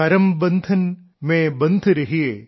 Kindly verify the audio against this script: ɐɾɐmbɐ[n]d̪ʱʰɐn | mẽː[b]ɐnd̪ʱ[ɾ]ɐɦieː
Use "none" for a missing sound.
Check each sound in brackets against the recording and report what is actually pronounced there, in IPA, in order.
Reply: n, b, ɾ

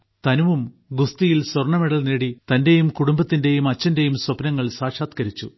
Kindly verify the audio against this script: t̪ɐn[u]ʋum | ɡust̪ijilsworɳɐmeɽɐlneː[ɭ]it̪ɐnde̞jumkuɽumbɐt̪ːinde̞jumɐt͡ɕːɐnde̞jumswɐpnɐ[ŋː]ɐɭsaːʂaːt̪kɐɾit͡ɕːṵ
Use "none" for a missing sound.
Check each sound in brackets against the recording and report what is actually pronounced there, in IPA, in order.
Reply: u, ɽ, ŋː

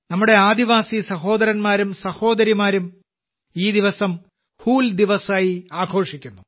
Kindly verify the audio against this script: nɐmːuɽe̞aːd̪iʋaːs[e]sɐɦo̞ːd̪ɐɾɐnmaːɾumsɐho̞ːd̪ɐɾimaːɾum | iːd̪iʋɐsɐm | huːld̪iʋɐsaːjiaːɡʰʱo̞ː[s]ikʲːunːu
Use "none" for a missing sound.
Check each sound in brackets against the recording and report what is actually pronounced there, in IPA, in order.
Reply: i, ʂ

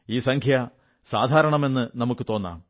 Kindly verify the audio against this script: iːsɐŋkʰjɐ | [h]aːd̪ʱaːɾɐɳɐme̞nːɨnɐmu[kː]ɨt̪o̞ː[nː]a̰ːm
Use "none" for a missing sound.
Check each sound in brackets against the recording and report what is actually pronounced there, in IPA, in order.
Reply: s, kː, nː

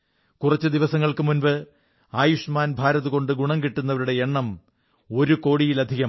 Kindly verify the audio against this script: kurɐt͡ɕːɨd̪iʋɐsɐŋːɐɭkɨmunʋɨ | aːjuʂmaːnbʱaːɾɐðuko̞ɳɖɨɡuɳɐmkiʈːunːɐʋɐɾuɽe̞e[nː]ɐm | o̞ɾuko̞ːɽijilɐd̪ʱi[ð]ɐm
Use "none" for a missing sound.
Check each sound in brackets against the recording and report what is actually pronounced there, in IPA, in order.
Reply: ɳː, ɣ

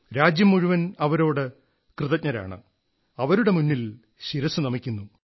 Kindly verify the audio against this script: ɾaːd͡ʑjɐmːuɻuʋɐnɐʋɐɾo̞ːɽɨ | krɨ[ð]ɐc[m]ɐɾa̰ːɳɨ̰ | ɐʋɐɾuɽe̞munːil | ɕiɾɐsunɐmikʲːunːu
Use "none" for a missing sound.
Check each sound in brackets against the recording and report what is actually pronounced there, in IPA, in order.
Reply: ð, ɲ

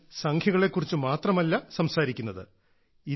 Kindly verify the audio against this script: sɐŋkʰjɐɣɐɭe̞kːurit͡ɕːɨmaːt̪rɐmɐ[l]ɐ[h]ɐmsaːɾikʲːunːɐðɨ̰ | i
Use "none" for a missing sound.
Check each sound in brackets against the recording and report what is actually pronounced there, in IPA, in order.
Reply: lː, s

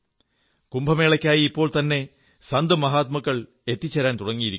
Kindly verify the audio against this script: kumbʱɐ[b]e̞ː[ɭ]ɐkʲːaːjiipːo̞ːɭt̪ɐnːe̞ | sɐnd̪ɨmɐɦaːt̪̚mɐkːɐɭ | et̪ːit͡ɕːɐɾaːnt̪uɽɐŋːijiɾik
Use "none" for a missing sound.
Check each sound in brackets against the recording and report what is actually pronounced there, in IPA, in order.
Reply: m, ɭ

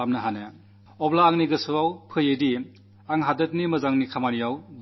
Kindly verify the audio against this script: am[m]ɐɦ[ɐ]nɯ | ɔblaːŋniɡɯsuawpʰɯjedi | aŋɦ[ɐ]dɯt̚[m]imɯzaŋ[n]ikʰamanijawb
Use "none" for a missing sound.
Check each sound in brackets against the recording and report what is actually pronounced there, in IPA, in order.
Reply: n, a, a, n, n

